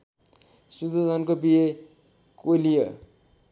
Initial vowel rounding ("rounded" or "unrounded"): rounded